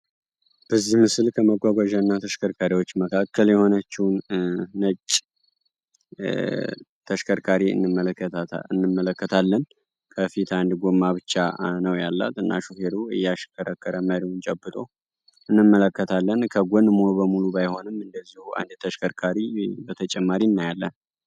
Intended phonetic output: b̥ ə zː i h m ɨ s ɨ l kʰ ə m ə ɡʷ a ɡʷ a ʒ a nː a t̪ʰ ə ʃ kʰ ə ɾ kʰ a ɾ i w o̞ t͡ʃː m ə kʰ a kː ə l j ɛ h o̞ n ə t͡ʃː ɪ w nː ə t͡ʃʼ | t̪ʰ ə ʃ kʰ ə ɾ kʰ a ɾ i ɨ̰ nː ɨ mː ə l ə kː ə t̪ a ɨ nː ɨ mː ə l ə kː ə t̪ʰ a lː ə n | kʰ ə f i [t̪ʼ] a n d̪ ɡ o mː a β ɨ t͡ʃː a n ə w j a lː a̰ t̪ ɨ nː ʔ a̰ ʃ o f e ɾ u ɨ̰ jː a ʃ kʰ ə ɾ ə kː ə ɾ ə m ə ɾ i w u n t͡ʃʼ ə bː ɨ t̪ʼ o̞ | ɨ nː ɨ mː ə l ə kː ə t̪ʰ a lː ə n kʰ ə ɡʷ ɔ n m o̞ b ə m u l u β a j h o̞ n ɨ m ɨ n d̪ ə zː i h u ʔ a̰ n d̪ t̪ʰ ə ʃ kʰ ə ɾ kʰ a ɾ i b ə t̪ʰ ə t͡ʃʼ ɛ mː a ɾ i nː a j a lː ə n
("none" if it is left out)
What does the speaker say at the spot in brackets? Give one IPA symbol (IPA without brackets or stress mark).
t̪